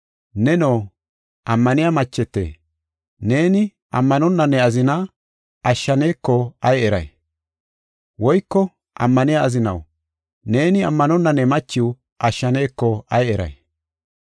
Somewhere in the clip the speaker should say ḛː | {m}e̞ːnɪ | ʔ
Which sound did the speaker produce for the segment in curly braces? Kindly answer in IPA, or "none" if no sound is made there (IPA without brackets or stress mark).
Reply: n